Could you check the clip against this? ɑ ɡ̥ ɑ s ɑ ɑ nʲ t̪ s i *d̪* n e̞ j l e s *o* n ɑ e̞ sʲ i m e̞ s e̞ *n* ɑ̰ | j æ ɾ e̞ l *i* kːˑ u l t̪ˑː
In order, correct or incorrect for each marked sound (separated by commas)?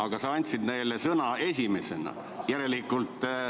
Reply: correct, incorrect, correct, correct